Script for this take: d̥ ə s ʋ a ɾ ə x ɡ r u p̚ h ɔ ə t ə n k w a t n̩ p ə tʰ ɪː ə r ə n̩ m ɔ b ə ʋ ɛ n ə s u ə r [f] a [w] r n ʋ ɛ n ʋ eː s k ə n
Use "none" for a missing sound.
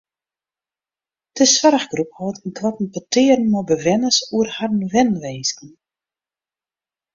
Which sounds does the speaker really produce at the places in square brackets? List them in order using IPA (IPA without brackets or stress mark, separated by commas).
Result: h, none